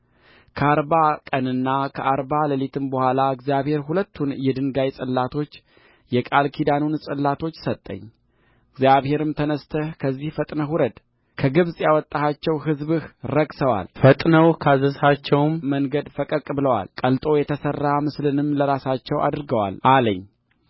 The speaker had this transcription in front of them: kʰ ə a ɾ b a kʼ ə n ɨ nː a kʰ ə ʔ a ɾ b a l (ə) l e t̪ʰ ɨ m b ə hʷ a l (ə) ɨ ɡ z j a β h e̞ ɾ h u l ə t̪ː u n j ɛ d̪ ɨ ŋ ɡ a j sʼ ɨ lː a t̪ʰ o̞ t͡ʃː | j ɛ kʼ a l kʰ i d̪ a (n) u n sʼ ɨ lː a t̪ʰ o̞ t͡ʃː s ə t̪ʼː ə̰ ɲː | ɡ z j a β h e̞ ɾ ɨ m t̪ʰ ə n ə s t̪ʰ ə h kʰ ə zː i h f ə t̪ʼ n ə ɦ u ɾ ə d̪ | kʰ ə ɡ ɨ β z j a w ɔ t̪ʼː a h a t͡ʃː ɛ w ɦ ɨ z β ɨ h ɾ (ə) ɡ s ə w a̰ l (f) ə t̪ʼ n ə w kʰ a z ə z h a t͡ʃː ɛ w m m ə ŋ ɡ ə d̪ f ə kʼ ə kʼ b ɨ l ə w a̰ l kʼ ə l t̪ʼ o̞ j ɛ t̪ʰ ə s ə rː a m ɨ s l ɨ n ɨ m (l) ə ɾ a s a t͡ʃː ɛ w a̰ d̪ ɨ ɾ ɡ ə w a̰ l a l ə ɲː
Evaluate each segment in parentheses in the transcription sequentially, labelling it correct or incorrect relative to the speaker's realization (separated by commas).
correct, incorrect, correct, correct, correct, correct